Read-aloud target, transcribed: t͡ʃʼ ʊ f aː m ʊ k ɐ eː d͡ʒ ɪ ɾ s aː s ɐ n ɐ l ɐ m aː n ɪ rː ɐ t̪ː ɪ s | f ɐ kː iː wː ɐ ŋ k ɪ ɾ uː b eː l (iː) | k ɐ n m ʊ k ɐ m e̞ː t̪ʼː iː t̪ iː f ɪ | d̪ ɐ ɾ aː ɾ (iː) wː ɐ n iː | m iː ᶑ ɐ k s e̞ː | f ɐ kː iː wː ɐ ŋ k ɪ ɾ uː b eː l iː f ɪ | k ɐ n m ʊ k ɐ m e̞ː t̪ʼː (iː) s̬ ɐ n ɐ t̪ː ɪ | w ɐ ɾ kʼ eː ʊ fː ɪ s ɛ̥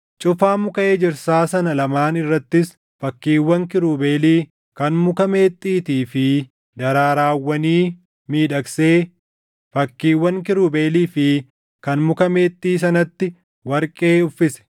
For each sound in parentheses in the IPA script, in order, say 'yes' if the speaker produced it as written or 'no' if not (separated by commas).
yes, no, yes